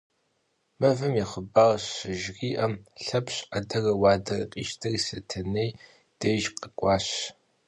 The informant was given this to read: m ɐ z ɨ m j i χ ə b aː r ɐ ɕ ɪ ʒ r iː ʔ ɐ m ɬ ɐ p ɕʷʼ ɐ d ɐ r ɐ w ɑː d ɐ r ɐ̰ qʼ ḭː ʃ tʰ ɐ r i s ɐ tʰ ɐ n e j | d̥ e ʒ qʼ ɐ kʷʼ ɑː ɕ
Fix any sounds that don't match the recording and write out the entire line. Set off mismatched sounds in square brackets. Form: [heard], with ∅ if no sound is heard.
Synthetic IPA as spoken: m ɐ [v] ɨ m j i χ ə b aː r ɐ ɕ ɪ ʒ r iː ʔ ɐ m ɬ ɐ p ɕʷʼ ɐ d ɐ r ɐ w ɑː d ɐ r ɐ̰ qʼ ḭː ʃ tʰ ɐ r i s ɐ tʰ ɐ n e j | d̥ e ʒ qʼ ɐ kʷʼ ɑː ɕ